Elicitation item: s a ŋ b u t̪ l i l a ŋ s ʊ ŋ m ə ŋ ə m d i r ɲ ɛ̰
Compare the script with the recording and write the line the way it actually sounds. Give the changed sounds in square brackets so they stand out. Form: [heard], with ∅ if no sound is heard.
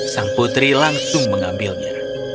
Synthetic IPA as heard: s a ŋ [p] u t̪ [ɾ] i l a ŋ s ʊ ŋ m ə ŋ [a] m [b] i [l] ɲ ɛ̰